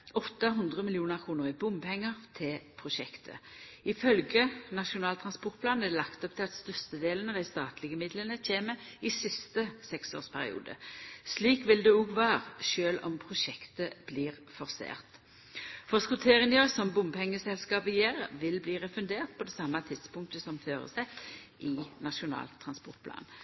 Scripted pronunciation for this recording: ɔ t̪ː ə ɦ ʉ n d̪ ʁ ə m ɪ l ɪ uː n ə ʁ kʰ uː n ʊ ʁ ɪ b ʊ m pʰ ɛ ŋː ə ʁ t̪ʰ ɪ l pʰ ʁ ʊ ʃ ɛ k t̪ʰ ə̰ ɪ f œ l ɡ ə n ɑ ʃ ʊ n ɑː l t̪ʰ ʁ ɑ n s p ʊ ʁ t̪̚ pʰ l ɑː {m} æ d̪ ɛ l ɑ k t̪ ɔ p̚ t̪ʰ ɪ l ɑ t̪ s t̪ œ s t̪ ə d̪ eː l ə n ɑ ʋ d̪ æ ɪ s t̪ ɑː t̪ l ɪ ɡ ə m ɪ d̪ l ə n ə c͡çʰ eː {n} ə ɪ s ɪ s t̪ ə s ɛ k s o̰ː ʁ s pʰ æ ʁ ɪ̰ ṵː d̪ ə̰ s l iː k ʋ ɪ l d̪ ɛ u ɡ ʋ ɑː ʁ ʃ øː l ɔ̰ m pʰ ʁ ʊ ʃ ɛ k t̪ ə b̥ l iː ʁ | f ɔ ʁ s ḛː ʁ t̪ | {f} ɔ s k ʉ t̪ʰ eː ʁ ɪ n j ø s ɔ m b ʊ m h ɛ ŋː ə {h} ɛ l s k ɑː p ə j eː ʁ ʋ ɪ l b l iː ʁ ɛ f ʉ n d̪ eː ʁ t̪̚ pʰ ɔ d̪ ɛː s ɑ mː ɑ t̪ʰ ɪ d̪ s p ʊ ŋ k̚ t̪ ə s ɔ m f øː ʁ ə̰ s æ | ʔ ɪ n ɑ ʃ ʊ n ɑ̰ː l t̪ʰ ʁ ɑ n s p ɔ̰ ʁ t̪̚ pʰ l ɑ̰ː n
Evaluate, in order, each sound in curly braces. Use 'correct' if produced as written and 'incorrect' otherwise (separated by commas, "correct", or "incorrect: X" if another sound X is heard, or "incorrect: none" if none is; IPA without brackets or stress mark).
incorrect: n, incorrect: m, correct, incorrect: s